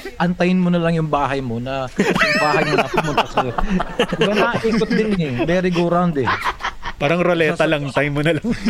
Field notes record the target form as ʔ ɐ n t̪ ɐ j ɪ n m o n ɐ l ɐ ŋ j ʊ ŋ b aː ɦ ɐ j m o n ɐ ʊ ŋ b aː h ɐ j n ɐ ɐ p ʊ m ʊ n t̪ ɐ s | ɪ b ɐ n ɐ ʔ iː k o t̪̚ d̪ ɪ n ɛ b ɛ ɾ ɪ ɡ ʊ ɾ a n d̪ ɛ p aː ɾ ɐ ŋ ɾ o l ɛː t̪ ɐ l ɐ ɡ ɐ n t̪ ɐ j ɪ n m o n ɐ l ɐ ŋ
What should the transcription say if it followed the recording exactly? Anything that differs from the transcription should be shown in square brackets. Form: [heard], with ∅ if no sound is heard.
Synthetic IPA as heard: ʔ ɐ n t̪ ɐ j ɪ n m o n ɐ l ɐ ŋ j ʊ ŋ b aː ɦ ɐ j m o n ɐ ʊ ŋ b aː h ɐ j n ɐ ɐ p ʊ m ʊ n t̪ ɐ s | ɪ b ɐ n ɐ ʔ iː k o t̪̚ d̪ ɪ n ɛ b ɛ ɾ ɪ ɡ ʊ ɾ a n d̪ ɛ p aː ɾ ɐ ŋ ɾ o l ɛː t̪ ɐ l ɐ [ŋ] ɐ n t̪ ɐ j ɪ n m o n ɐ l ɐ ŋ